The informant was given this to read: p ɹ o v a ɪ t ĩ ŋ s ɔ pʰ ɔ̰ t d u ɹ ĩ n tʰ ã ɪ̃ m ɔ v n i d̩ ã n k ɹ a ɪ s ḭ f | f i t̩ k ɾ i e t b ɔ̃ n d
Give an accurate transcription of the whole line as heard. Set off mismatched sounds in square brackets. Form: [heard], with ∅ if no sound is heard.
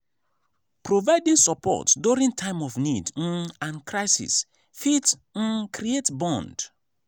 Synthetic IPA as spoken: p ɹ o v a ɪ [d] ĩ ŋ s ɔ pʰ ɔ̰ t d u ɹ ĩ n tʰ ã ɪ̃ m ɔ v n i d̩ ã n k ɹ a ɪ s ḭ [s] | f i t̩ k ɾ i e t b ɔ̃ n d